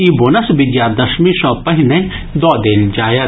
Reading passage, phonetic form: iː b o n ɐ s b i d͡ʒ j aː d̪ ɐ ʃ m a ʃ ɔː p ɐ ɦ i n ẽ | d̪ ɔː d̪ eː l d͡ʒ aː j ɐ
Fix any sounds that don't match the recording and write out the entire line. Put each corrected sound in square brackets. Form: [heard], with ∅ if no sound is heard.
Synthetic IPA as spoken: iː b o n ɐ s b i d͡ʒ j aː d̪ ɐ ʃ m [i] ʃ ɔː p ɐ ɦ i n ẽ | d̪ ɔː d̪ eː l d͡ʒ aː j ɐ